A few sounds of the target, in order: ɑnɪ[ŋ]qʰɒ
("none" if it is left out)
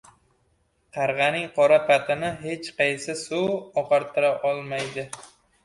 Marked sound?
ŋ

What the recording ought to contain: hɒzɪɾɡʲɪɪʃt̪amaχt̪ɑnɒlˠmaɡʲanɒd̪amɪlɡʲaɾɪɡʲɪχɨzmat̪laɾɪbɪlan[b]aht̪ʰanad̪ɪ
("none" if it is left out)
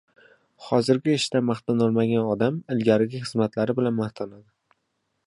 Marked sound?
m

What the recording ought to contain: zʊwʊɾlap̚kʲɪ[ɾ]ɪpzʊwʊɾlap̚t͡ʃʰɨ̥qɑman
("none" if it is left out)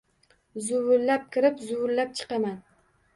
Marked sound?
ɾ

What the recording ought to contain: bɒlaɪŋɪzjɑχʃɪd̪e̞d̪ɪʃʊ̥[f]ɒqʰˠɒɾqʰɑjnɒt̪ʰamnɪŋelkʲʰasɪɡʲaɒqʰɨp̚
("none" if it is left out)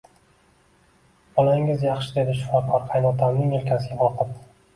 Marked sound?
f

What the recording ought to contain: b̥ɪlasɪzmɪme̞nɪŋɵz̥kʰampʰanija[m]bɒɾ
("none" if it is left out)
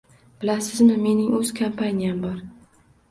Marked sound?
m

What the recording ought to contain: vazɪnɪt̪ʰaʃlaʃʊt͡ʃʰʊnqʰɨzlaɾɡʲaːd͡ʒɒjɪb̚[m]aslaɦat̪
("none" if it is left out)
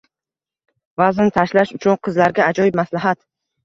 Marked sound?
m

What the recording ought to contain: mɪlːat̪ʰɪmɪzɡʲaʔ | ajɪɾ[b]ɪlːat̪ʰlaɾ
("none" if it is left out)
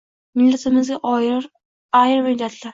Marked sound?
m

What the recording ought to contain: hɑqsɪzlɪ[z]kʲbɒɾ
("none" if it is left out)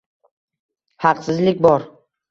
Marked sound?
none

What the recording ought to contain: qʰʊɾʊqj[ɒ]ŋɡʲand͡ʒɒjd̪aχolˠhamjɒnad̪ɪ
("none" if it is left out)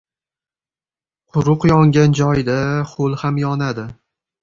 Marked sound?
ɒ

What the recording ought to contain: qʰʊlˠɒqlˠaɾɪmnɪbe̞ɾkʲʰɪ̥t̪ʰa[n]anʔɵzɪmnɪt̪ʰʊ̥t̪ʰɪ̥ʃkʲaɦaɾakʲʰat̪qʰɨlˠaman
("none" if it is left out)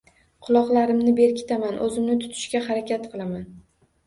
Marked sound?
m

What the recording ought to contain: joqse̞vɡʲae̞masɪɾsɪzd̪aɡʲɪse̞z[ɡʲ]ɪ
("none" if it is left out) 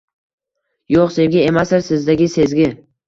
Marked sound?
ɡʲ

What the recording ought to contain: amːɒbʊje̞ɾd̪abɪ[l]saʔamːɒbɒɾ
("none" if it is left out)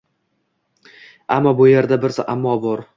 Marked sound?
ɾ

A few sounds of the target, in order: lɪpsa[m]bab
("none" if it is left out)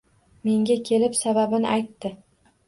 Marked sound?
none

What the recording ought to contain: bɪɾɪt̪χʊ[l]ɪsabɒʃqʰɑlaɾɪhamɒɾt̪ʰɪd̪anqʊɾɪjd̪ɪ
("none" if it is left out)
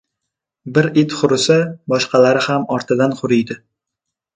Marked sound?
ɾ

